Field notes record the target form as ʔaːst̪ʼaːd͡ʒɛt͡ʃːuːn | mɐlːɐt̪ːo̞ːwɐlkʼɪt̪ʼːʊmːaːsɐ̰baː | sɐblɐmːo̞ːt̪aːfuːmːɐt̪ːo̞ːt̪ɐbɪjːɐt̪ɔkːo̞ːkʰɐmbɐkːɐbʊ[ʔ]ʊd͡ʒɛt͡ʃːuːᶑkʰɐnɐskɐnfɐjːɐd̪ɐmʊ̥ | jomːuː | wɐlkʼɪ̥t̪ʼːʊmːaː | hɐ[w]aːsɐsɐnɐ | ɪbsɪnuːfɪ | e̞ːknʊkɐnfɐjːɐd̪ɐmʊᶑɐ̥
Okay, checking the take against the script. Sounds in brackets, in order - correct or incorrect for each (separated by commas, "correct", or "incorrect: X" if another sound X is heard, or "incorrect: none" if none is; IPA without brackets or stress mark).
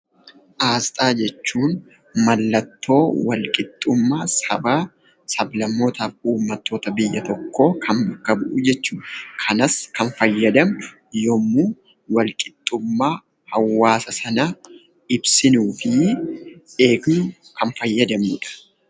correct, incorrect: wː